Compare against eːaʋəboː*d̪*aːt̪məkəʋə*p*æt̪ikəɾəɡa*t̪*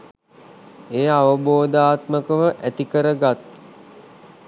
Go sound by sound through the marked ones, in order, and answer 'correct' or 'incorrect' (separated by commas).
correct, incorrect, correct